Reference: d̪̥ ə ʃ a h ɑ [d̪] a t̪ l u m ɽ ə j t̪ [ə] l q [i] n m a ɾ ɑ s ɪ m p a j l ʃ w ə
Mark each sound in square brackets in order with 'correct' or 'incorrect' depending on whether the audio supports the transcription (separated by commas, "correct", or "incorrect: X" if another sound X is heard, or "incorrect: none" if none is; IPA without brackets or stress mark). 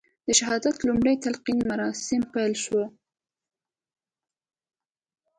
correct, incorrect: a, correct